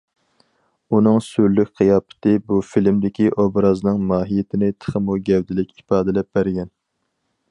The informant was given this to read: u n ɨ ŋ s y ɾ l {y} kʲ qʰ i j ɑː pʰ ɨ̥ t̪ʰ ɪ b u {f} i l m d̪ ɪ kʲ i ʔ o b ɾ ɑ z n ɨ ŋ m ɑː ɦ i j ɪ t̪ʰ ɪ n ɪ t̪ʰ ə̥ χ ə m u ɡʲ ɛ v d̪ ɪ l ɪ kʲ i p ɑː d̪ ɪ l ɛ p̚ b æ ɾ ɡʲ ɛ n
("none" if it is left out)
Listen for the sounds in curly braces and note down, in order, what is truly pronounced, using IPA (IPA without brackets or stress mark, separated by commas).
y, f